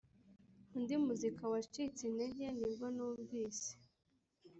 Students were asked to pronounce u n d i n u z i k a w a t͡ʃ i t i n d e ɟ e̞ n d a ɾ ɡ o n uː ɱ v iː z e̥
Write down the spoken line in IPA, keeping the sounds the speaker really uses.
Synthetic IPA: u n d i m u z i k a w a t͡ʃ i t͡s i n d e ɟ e̞ n d i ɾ ɡ o n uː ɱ v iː s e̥